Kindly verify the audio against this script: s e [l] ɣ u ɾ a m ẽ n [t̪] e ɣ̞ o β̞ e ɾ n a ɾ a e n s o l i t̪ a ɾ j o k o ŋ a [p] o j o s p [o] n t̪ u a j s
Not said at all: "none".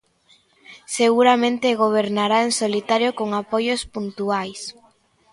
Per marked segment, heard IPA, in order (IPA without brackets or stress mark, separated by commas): none, t̪, p, u